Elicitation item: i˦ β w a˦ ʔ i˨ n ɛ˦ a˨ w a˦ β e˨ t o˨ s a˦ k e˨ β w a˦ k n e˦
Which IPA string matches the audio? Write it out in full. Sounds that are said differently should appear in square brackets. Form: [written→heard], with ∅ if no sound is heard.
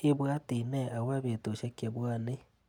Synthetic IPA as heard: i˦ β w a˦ [ʔ→t] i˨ n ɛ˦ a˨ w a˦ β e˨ t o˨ [s→ʃ] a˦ k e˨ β w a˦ [k→∅] n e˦